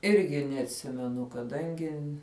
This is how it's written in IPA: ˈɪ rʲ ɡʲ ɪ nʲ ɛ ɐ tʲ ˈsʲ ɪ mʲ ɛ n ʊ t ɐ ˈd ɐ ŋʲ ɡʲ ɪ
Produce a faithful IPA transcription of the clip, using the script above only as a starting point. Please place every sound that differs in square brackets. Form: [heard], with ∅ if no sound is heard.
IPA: ˈɪ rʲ ɡʲ ɪ nʲ ɛ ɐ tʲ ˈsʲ ɪ mʲ ɛ n ʊ [k] ɐ ˈd ɐ ŋʲ ɡʲ ɪ